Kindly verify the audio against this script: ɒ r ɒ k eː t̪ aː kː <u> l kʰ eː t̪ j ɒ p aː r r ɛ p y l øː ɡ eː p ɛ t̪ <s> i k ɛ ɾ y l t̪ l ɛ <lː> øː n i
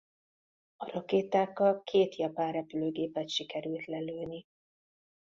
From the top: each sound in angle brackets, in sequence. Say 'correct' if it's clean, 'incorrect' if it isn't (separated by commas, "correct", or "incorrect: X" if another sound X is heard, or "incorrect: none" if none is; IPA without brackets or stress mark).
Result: incorrect: ɒ, incorrect: ʃ, incorrect: l